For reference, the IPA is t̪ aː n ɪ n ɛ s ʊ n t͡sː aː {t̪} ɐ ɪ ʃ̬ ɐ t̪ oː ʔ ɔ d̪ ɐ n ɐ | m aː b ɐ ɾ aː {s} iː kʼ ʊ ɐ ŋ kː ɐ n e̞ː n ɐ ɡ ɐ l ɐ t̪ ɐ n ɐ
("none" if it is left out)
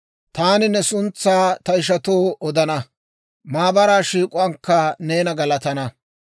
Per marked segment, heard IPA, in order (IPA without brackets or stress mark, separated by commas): t̪, ʃ